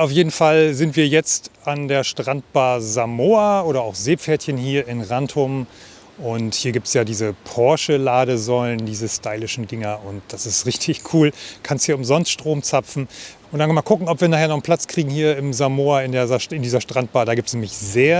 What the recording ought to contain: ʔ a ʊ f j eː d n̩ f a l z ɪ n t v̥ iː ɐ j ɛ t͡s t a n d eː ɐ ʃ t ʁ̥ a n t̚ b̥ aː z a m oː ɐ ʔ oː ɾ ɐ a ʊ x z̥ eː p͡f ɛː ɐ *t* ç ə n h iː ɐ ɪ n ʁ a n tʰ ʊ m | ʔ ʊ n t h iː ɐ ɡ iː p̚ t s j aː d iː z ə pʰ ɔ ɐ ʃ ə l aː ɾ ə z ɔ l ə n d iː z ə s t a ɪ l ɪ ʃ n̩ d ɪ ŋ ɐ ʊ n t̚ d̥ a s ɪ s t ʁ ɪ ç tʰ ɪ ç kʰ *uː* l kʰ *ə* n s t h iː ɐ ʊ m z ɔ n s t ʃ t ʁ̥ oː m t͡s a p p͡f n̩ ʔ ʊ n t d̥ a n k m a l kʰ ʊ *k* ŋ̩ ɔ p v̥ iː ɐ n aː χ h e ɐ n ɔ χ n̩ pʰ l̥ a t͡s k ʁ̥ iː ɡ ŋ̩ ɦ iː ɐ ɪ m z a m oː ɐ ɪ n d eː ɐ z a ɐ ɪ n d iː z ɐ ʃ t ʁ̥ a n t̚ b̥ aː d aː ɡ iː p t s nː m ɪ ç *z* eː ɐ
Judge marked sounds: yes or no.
yes, yes, no, yes, yes

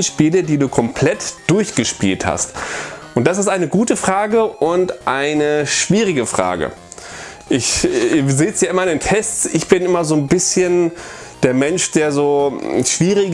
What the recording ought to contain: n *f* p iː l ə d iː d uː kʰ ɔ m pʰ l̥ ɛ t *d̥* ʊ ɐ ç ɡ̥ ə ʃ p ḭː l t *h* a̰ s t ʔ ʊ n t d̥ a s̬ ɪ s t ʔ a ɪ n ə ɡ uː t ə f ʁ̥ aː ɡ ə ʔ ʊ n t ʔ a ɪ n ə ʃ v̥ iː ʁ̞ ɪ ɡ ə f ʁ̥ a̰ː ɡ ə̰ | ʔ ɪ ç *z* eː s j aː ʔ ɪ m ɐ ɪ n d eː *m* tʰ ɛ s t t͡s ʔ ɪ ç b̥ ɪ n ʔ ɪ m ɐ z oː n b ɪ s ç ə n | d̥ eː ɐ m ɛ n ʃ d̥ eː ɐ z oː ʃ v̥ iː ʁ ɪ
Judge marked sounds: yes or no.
no, yes, yes, yes, no

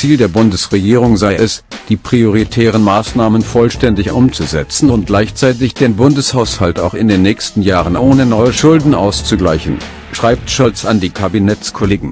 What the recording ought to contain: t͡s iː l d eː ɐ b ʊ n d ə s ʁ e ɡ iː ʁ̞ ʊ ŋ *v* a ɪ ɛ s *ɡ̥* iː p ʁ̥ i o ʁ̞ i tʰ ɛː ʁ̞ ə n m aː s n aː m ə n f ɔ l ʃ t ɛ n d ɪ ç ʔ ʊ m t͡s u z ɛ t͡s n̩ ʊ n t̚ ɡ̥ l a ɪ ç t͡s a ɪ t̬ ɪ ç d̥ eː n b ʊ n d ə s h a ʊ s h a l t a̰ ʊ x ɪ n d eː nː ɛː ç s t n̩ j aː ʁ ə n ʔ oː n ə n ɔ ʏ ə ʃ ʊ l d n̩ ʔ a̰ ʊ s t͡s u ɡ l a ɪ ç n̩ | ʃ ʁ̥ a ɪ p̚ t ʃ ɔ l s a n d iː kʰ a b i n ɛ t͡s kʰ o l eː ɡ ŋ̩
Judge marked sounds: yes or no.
no, no

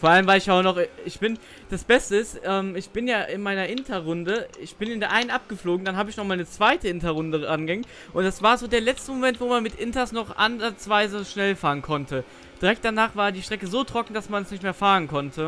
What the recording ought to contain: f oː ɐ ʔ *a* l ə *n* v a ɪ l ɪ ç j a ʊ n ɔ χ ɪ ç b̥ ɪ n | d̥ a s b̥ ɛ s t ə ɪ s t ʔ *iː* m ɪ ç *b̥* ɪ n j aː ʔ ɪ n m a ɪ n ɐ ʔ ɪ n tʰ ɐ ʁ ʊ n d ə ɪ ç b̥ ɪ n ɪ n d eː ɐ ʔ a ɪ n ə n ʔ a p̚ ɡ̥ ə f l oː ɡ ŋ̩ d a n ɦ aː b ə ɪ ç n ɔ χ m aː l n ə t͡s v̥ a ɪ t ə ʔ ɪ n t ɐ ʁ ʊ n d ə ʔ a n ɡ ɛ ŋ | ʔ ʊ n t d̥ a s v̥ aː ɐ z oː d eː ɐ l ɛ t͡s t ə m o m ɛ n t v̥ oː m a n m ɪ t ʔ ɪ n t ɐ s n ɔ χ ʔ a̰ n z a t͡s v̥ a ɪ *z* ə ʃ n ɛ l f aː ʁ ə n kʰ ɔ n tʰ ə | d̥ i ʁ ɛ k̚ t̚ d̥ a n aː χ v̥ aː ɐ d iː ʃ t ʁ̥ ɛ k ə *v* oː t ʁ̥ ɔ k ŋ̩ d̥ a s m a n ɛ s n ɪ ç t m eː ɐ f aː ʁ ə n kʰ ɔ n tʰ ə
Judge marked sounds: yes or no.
yes, no, no, yes, yes, no

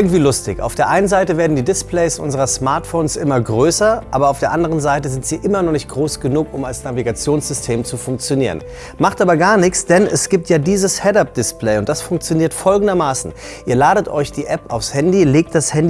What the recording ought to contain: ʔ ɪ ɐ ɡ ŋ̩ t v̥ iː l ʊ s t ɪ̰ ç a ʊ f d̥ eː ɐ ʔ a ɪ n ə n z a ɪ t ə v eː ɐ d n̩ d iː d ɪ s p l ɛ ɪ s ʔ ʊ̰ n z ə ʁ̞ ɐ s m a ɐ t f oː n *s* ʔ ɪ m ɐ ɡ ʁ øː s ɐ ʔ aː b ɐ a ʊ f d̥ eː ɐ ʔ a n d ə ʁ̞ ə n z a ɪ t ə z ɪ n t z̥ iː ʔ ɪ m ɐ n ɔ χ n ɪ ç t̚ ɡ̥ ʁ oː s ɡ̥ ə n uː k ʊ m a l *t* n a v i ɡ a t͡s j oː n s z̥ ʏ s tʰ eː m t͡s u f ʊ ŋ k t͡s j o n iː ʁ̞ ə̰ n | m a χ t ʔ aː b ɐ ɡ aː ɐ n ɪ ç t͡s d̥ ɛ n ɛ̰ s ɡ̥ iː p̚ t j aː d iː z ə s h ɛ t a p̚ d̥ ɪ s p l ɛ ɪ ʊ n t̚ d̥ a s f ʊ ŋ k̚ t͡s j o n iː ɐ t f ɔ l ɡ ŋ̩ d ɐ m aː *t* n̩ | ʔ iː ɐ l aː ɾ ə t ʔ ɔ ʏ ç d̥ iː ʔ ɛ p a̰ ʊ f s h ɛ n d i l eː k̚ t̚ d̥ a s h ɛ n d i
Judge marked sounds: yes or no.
yes, no, no

